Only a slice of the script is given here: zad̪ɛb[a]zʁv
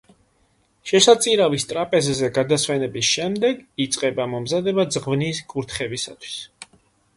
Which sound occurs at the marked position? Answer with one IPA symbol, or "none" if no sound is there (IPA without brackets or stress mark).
a